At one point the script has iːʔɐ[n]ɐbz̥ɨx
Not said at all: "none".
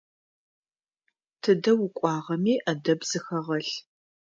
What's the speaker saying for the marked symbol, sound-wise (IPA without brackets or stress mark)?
d